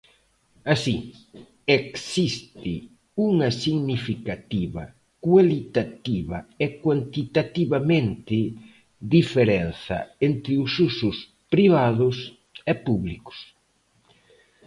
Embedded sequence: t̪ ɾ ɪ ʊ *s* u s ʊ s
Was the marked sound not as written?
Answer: no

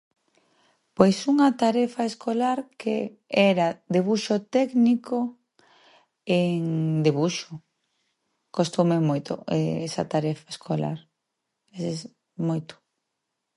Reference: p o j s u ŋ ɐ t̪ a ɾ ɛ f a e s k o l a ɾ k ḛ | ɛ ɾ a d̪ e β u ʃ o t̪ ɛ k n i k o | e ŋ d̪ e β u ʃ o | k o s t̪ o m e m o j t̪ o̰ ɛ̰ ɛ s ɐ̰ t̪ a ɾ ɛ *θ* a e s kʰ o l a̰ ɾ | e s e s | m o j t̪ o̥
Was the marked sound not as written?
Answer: yes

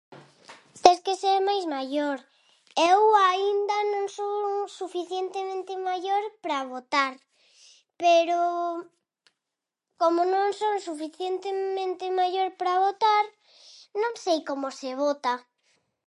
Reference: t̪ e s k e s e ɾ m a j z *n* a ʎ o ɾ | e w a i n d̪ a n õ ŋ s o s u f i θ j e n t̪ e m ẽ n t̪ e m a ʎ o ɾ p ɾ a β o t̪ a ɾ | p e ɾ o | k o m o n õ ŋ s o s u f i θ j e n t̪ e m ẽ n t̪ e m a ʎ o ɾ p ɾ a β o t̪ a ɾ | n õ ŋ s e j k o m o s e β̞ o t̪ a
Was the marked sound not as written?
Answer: yes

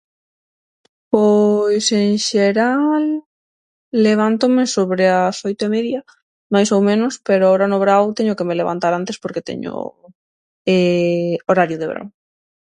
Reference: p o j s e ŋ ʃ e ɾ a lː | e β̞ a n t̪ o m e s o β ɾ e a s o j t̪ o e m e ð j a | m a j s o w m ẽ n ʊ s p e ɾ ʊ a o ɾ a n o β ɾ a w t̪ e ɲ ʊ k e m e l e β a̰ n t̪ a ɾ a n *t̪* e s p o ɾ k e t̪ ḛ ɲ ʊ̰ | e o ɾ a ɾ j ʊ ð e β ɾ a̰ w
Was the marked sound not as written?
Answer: no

